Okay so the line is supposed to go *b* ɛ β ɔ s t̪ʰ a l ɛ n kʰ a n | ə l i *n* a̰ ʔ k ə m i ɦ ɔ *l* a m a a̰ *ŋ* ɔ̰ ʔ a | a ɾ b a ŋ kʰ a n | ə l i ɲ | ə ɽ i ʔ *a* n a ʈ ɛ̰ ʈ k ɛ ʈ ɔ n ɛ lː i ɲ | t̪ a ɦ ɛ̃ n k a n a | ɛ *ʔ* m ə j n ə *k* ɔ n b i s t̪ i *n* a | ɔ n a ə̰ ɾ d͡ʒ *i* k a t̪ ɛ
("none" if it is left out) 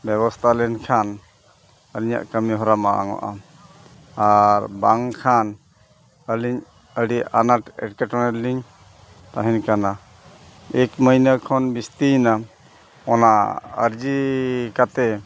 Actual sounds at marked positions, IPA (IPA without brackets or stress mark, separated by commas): b, ɲ, ɾ, ŋ, a, k, kʰ, n, i